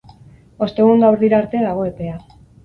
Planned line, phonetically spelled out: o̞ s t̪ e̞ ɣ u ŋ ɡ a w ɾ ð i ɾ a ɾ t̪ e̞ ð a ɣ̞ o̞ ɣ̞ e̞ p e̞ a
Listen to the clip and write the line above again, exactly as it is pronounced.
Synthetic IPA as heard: o̞ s t̪ e̞ ɣ u ŋ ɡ a w ɾ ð i ɾ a ɾ t̪ e̞ ð a ɣ̞ o̞ e̞ p e̞ a